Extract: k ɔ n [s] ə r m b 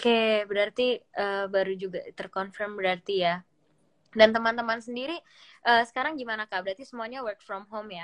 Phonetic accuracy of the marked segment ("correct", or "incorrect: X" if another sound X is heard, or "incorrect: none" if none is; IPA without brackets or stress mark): incorrect: f